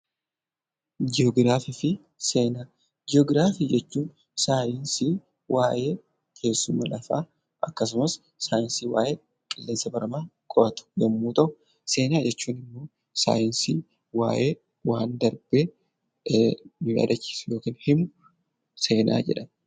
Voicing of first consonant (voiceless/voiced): voiced